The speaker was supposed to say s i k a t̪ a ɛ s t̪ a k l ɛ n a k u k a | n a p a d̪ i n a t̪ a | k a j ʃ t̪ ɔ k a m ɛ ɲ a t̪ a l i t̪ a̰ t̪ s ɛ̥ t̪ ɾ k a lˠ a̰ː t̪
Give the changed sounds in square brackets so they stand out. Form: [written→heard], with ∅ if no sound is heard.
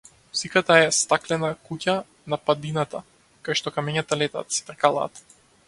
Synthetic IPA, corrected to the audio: s i k a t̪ a ɛ s t̪ a k l ɛ n a k u [k→c] a | n a p a d̪ i n a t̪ a | k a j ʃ t̪ ɔ k a m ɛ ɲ a t̪ a l [i→ɛ] t̪ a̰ t̪ s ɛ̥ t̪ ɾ k a lˠ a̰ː t̪